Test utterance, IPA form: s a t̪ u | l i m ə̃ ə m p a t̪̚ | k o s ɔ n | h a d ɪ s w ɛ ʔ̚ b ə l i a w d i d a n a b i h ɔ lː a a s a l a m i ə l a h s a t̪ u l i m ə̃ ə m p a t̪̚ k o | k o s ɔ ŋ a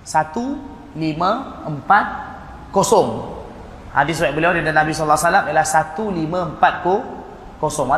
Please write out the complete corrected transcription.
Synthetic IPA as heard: s a t̪ u | l i m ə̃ ə m p a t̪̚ | k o s ɔ ŋ | h a d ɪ s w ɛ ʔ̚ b ə l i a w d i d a n a b i s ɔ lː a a s a l a m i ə l a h s a t̪ u l i m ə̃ ə m p a t̪̚ k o | k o s ɔ ŋ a